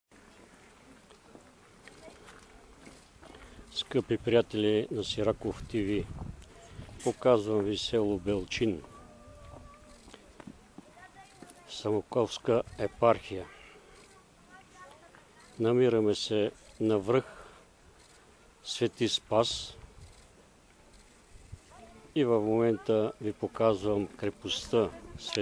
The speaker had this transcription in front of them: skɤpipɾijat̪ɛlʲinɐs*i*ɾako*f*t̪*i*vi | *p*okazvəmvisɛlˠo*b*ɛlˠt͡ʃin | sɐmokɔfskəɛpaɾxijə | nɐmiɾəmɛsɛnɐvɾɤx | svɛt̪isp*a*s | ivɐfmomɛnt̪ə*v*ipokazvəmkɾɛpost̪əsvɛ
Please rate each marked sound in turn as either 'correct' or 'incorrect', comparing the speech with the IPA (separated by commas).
correct, correct, correct, correct, correct, correct, correct